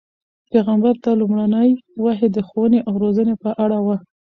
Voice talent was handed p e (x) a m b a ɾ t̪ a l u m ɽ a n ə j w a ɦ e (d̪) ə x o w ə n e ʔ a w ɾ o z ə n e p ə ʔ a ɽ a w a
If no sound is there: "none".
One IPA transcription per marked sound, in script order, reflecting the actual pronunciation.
ɣ, d̪

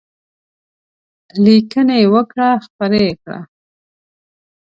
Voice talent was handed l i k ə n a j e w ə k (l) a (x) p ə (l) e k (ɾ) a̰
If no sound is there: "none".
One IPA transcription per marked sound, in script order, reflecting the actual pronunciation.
ɽ, x, ɾ, ɽ

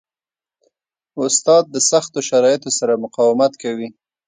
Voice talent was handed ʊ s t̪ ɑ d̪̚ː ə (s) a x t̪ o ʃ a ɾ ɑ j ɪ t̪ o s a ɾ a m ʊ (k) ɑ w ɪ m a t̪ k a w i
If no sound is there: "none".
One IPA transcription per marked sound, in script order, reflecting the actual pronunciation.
s, q

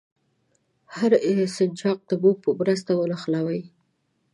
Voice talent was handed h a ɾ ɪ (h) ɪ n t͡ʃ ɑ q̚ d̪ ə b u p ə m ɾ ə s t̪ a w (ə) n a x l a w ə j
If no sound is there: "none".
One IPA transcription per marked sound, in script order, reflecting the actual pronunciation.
s, ə

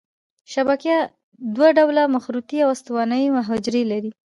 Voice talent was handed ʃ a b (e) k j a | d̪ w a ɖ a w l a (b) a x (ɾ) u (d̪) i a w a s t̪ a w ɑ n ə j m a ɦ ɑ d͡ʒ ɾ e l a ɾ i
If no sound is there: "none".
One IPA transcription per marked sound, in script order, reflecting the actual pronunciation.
a, m, ɾ, t̪

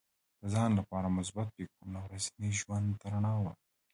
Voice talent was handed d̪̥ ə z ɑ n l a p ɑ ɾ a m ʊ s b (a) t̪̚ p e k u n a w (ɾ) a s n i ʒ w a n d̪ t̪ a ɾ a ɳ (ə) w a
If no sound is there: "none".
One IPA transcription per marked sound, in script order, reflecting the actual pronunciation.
a, ɾ, ɑ

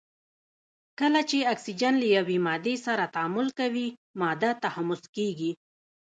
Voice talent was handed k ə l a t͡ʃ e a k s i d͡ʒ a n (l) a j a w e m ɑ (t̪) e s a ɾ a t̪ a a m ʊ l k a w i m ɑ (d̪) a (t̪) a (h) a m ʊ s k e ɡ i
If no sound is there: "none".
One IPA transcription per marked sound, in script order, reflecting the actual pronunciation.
l, d̪, d̪, t̪, h

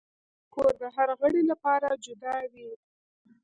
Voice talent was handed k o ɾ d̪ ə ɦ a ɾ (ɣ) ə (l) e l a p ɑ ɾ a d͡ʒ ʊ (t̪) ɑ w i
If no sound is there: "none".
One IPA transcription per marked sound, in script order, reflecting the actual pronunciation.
ɣ, ɽ, d̪

